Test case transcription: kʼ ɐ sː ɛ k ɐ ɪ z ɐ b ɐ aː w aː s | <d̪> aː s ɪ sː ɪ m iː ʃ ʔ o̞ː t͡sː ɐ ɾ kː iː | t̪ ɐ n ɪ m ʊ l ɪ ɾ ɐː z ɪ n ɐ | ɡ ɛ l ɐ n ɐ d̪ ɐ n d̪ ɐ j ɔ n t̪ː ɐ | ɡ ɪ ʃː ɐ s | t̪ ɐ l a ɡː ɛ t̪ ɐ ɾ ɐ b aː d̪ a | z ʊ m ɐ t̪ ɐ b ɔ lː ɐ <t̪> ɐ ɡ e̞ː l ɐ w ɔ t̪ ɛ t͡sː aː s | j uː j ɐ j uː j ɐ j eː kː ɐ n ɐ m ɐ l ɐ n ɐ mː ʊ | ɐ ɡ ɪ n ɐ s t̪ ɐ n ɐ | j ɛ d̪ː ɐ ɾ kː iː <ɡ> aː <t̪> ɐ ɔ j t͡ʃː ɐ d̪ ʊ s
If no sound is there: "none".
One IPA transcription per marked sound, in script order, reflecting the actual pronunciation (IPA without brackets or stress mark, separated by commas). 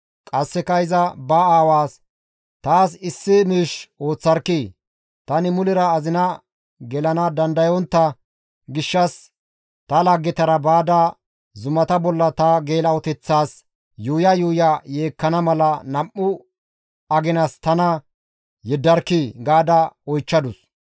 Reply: t̪, t̪, ɡ, d̪